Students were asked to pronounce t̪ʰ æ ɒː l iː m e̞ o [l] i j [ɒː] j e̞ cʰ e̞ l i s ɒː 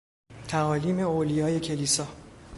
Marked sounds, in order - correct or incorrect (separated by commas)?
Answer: correct, correct